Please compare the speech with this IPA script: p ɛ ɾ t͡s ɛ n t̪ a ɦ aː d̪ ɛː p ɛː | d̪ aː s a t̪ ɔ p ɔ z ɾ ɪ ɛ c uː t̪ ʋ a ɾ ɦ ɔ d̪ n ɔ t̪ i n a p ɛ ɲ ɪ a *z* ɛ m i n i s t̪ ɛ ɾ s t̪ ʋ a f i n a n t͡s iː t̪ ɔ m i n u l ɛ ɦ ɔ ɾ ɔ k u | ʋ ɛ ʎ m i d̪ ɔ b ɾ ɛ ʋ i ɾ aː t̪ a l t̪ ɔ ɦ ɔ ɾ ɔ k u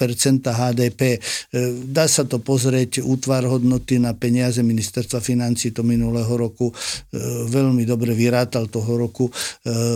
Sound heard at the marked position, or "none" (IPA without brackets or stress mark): z